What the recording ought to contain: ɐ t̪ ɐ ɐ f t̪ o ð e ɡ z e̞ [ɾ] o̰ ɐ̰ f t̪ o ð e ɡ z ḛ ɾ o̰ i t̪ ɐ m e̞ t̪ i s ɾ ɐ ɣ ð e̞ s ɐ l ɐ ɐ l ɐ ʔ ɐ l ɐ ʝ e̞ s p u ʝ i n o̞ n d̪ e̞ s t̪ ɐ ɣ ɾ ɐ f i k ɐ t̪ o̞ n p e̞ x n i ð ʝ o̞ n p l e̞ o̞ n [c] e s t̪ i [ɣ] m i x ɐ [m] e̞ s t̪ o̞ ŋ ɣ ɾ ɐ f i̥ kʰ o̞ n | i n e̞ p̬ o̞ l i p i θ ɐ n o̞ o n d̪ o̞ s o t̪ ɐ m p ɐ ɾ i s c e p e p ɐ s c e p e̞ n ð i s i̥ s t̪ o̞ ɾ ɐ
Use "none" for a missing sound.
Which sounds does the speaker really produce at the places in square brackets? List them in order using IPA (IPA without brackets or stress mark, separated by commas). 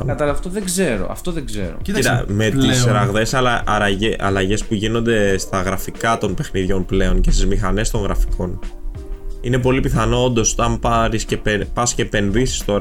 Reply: ɾ, c, z, n